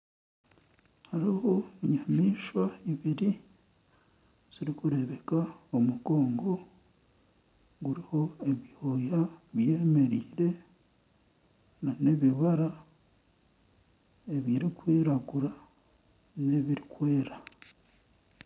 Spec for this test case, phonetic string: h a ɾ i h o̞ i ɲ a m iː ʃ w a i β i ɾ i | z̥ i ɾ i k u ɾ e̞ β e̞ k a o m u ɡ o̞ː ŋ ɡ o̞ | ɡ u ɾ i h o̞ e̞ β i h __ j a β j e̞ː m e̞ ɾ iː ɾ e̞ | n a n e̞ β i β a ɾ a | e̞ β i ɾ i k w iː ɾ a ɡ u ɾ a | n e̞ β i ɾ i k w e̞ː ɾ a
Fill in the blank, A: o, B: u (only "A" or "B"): A